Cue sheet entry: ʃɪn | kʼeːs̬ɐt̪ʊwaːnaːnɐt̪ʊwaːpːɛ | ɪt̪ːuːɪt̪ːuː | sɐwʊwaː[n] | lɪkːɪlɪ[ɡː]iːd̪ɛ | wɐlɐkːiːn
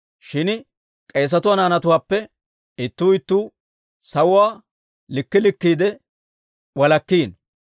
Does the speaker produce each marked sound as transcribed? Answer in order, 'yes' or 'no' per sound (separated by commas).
no, no